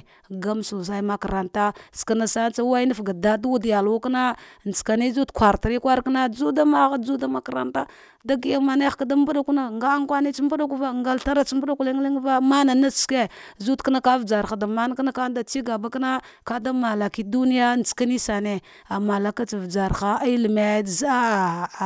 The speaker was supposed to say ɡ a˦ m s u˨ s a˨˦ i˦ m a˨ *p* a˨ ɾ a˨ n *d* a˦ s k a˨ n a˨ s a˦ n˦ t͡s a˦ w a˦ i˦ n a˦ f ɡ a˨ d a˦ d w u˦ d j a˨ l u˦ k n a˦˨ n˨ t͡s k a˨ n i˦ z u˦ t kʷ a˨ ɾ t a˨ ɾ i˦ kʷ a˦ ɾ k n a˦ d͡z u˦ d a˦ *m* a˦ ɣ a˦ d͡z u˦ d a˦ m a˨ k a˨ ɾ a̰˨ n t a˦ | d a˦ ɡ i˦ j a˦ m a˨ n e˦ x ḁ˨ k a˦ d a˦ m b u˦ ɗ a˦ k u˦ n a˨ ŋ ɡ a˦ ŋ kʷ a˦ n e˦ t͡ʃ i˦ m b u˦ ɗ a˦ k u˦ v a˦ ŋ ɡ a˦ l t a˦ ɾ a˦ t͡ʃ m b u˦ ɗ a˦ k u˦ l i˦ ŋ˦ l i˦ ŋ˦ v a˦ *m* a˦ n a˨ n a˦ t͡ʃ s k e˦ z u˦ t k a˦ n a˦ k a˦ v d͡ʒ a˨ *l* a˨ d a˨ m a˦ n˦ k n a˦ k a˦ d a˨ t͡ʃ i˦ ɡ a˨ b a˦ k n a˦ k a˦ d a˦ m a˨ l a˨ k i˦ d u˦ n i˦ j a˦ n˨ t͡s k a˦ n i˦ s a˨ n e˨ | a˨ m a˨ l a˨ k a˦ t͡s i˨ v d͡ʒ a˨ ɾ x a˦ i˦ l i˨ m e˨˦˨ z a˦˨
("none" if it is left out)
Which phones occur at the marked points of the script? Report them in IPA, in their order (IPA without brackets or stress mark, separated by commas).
k, t, m, m, ɾ